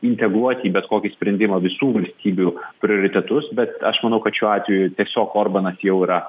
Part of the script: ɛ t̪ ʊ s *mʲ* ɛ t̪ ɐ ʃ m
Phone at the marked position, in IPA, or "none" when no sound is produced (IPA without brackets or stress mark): bʲ